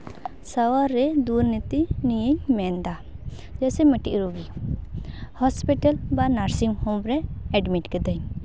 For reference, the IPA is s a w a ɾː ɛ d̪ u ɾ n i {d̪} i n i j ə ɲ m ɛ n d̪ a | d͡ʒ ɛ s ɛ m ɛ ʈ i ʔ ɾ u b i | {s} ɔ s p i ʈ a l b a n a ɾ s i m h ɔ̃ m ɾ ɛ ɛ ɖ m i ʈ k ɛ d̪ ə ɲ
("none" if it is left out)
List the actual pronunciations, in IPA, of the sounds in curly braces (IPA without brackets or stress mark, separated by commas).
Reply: t̪, h